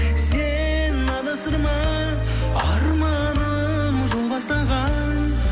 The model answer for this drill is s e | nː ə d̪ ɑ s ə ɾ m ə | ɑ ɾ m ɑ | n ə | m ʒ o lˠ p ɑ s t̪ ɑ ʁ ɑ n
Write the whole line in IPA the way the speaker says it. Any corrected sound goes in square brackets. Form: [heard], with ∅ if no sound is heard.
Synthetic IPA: s e | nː [ɑ] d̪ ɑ s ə ɾ m [ɑ] | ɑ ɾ m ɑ | n ə | m ʒ o lˠ [b] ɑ s t̪ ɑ ʁ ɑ n